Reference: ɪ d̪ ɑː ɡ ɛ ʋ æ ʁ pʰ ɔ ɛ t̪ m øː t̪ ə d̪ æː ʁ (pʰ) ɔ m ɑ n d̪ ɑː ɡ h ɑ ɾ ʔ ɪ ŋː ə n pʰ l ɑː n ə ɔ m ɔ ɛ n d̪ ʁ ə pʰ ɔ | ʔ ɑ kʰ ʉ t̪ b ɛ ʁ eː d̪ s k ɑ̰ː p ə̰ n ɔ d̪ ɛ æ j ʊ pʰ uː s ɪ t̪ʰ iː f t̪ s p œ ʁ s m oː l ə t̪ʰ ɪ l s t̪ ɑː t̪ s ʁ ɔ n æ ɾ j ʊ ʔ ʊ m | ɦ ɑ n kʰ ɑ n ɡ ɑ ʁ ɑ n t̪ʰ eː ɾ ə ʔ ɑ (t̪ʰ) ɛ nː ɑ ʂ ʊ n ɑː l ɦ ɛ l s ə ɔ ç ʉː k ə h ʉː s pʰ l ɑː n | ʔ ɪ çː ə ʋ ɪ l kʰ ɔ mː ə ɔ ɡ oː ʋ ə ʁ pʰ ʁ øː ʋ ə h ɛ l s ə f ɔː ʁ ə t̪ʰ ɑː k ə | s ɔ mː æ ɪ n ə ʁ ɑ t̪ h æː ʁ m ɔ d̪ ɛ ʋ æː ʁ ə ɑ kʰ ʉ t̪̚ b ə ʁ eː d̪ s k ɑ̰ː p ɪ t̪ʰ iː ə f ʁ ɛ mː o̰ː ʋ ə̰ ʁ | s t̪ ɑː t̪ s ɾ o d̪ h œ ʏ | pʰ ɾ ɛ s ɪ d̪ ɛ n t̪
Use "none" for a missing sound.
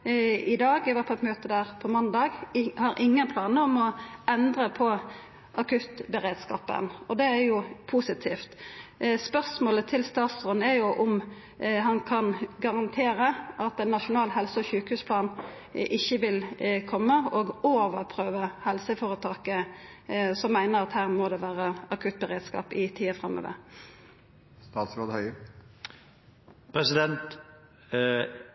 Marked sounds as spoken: pʰ, t̪

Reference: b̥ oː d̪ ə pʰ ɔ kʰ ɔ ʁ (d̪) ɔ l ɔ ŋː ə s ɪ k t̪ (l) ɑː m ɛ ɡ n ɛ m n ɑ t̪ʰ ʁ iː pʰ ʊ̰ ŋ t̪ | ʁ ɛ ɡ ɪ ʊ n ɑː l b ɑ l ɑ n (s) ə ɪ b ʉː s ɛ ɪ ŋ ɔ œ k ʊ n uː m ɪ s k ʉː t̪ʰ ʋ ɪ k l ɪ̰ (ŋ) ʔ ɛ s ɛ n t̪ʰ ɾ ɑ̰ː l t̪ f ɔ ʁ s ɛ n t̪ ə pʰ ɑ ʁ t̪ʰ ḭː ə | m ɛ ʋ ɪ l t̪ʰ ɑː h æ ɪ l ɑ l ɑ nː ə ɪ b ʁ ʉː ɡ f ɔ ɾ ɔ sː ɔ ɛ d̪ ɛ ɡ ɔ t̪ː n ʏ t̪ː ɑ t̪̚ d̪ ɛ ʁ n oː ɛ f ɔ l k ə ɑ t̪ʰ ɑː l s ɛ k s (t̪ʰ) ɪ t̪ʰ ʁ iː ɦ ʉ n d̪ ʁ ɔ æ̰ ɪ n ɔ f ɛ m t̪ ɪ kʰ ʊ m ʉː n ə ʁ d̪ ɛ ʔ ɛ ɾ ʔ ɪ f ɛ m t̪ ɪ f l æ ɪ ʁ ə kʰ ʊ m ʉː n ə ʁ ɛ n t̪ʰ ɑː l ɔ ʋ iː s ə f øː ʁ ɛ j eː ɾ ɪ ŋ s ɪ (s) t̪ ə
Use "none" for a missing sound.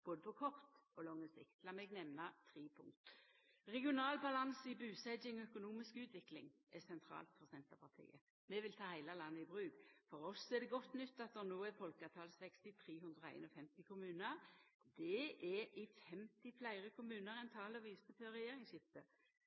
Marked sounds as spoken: t̪, l, s, ŋ, t̪, f

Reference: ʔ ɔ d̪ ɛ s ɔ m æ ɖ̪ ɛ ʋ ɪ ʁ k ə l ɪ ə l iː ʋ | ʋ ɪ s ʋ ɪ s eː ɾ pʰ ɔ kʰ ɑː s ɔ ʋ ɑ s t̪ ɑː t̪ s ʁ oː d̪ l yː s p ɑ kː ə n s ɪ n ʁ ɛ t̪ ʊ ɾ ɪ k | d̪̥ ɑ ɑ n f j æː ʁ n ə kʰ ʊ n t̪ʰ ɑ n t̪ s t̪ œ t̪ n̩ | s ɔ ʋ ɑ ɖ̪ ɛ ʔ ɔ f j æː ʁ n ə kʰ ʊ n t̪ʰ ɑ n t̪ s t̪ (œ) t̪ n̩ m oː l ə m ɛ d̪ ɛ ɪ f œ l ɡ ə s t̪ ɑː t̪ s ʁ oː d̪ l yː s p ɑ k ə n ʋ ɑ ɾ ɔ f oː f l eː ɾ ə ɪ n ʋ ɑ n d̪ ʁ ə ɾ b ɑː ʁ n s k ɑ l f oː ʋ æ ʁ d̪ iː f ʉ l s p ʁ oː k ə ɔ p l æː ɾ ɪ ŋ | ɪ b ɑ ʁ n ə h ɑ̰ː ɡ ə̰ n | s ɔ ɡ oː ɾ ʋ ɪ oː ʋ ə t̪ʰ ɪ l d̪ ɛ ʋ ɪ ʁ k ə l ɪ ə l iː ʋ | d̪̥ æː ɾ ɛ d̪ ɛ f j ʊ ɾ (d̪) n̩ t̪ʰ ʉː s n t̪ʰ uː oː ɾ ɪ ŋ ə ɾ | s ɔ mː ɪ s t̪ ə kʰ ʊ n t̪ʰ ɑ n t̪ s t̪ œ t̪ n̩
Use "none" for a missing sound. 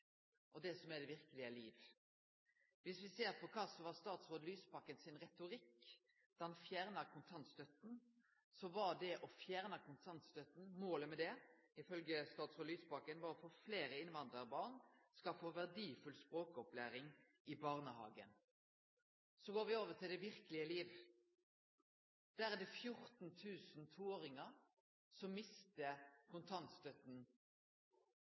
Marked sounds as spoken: œ, t̪

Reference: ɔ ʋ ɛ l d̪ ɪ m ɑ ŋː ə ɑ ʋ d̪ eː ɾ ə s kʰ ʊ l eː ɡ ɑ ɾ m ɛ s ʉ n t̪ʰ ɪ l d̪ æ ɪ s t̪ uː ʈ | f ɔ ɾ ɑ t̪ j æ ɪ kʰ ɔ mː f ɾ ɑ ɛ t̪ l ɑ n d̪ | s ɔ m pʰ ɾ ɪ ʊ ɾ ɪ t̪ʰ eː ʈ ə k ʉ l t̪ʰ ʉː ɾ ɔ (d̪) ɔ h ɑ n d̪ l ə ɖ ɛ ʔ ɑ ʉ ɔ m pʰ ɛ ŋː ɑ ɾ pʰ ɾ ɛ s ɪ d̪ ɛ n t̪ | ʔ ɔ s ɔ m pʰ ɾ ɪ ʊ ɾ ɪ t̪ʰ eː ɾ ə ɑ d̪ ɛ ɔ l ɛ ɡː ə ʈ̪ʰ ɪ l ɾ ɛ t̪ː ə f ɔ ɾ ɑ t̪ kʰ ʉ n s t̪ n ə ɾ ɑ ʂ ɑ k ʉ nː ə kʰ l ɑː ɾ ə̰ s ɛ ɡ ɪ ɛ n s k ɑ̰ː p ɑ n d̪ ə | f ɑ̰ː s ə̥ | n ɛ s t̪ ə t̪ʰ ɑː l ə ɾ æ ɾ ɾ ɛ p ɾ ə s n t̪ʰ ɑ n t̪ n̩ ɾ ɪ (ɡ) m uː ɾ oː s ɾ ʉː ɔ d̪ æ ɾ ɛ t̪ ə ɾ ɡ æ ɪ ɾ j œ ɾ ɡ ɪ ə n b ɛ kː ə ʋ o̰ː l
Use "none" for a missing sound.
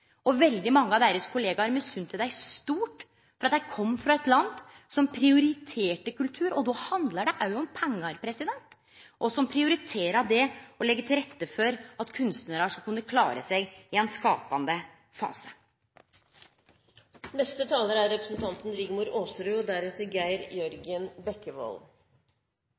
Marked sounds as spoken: d̪, ɡ

